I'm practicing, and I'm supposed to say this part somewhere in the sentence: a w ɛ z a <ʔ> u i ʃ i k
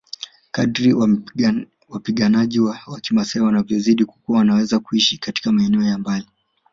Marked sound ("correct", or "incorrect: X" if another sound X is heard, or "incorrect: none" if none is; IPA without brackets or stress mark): incorrect: k